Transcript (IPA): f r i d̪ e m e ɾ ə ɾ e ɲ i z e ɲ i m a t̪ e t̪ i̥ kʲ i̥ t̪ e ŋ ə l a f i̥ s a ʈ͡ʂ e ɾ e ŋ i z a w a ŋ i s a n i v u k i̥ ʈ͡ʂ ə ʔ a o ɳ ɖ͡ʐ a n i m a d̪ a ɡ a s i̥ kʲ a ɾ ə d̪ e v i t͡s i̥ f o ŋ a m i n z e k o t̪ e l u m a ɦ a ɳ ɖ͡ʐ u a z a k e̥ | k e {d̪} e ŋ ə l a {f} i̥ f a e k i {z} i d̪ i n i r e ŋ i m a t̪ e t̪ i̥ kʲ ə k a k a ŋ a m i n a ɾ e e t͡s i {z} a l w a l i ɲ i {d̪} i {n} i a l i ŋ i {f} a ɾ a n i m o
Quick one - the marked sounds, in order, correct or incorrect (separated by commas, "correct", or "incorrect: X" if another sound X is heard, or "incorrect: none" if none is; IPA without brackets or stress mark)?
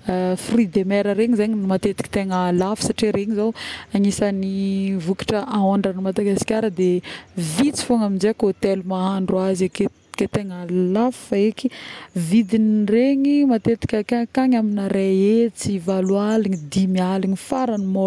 incorrect: t̪, correct, incorrect: v, incorrect: v, correct, incorrect: m, correct